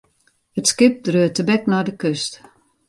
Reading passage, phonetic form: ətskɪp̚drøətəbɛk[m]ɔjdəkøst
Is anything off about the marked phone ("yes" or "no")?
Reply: yes